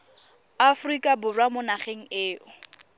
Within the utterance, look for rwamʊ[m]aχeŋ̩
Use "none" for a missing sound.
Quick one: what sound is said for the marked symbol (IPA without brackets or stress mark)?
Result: n